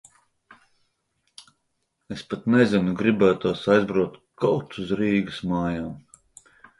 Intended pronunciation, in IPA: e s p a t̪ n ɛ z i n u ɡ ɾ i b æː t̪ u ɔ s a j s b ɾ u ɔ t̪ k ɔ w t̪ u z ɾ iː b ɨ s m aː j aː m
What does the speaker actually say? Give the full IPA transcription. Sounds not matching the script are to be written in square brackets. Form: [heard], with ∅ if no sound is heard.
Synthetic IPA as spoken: e s p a t̪ n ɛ z i n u ɡ ɾ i b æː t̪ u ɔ s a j [z] b ɾ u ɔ t̪ k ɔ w t̪ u z ɾ iː [ɡ] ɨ s m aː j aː m